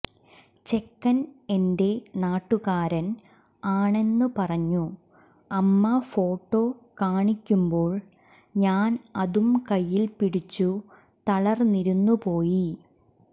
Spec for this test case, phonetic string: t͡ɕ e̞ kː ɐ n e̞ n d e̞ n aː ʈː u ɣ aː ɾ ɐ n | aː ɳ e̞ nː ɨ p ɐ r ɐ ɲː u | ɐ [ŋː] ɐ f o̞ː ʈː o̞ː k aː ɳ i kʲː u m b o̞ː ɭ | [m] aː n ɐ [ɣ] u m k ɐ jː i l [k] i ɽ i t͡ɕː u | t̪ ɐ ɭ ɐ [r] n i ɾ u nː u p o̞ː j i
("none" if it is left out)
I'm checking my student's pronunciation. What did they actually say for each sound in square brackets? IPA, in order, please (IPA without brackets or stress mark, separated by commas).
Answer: mː, ɲ, ð, p, r